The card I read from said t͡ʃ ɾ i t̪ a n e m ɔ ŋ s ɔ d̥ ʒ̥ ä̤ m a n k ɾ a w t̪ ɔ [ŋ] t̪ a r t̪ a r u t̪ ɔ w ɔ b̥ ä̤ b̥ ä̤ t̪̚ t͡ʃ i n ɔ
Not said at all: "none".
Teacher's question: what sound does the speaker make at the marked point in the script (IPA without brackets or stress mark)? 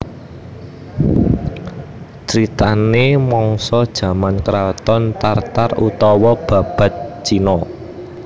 n